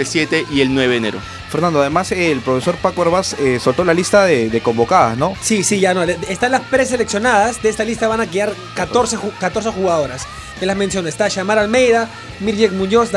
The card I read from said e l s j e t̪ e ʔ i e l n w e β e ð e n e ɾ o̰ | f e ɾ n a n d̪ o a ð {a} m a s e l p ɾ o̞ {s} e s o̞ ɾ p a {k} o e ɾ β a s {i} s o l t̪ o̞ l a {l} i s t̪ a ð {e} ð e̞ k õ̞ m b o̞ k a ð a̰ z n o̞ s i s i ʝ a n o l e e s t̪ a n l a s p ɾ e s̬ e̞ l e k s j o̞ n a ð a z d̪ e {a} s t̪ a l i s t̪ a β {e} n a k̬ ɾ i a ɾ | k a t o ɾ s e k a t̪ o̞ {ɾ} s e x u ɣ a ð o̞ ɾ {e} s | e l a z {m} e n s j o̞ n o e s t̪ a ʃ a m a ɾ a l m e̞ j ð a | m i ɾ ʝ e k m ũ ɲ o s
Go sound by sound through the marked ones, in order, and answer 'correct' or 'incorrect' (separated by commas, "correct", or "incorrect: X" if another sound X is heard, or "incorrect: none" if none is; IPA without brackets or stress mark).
incorrect: e, incorrect: f, correct, incorrect: e, correct, correct, incorrect: e, incorrect: a, correct, incorrect: a, correct